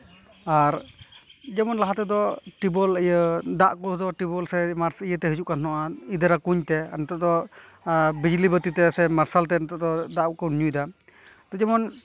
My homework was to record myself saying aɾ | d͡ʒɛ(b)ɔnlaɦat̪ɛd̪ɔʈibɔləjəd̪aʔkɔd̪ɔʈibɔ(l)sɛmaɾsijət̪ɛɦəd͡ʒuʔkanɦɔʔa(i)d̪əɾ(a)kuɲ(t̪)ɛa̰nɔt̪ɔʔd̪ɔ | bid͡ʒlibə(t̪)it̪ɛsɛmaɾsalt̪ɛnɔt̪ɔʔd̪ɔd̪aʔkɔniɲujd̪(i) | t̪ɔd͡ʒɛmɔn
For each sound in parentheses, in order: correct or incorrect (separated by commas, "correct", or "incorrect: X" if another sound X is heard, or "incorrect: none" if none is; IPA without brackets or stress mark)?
incorrect: m, correct, correct, correct, correct, correct, incorrect: a